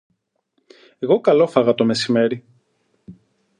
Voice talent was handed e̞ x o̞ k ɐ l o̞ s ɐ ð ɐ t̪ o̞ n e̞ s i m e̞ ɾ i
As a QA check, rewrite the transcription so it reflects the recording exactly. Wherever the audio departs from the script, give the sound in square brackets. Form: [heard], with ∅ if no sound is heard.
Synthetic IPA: e̞ [ɣ] o̞ k ɐ l o̞ [f] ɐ [ɣ] ɐ t̪ o̞ [m] e̞ s i m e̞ ɾ i

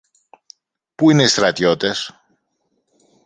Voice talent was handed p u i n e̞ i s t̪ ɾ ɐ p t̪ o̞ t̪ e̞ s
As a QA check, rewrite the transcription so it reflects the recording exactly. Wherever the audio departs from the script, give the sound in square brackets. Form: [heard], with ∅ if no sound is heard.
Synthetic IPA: p u i n e̞ i s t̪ ɾ ɐ [∅] t̪ o̞ t̪ e̞ s

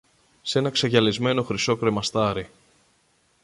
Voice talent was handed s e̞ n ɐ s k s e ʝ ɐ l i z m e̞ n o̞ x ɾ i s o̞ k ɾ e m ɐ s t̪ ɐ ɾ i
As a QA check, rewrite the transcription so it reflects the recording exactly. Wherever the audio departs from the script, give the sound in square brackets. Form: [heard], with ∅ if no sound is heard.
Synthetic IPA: s e̞ n ɐ [∅] k s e ʝ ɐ l i z m e̞ n o̞ x ɾ i s o̞ k ɾ e m ɐ s t̪ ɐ ɾ i

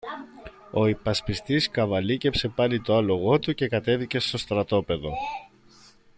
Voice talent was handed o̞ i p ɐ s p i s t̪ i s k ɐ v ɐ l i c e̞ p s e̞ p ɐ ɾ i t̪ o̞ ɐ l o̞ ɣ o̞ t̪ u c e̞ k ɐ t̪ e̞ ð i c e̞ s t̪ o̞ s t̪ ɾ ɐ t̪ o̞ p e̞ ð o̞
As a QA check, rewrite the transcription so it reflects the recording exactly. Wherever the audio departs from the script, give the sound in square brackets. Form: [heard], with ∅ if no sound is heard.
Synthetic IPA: o̞ i p ɐ s p i s t̪ i s k ɐ v ɐ l i c e̞ p s e̞ p ɐ [l] i t̪ o̞ ɐ l o̞ ɣ o̞ t̪ u c e̞ k ɐ t̪ e̞ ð i c e̞ s t̪ o̞ s t̪ ɾ ɐ t̪ o̞ p e̞ ð o̞

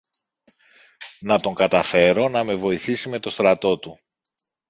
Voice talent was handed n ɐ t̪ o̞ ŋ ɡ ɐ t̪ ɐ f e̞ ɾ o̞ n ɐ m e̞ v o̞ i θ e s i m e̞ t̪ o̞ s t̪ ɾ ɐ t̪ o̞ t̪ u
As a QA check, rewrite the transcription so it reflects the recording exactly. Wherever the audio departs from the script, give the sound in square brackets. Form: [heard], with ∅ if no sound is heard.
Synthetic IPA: n ɐ t̪ o̞ ŋ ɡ ɐ t̪ ɐ f e̞ ɾ o̞ n ɐ m e̞ v o̞ i θ [i] s i m e̞ t̪ o̞ s t̪ ɾ ɐ t̪ o̞ t̪ u

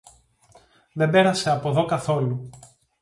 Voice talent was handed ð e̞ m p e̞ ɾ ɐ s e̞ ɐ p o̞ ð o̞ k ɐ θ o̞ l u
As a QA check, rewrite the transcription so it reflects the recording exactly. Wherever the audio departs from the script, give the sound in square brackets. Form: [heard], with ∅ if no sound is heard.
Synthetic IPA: ð e̞ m [b] e̞ ɾ ɐ s e̞ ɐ p o̞ ð o̞ k ɐ θ o̞ l u

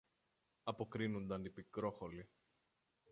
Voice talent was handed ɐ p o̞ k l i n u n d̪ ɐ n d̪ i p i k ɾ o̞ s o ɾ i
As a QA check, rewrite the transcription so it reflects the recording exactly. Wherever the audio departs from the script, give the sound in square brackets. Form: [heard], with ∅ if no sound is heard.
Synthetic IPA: ɐ p o̞ k [ɾ] i n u n d̪ ɐ n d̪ i p i k ɾ o̞ [x] o [l] i

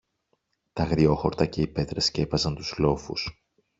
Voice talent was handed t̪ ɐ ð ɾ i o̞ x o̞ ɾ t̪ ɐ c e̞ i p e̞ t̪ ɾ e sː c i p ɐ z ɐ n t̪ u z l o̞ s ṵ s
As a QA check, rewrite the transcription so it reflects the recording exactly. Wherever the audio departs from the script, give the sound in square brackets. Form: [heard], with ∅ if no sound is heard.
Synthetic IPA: t̪ ɐ [ɣ] ɾ i o̞ x o̞ ɾ t̪ ɐ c e̞ i p e̞ t̪ ɾ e [s] c [e] p ɐ z ɐ n t̪ u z l o̞ [f] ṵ s

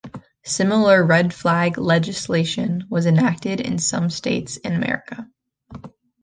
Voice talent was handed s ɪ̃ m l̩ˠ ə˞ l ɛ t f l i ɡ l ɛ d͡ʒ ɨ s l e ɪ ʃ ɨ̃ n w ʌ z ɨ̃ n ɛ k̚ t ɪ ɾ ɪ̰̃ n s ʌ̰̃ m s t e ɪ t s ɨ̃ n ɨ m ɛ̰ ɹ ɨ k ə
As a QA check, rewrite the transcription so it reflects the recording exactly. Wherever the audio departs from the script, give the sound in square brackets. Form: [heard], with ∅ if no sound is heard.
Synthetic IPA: s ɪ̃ m l̩ˠ ə˞ [ɹ] ɛ [d] f l [æ] ɡ l ɛ d͡ʒ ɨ s l e ɪ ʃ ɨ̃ n w ʌ z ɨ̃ n [æ] k̚ t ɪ ɾ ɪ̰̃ n s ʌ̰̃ m s t e ɪ t s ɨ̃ n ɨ m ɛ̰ ɹ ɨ k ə

